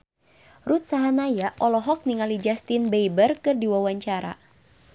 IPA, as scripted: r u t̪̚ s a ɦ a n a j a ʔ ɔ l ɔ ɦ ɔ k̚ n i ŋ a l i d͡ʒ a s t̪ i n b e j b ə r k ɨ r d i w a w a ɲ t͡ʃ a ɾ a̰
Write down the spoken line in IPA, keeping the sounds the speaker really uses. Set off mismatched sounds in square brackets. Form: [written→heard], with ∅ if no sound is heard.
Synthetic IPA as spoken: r u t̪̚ s a ɦ a n a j a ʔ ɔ l ɔ ɦ ɔ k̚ n i ŋ a l i d͡ʒ a s t̪ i n b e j b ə r k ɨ r d i w a w a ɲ t͡ʃ a ɾ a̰